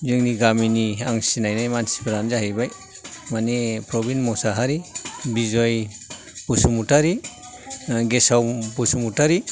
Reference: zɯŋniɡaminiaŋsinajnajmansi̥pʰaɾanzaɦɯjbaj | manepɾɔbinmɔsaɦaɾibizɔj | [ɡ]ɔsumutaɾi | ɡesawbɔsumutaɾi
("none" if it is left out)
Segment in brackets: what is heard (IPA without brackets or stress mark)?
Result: b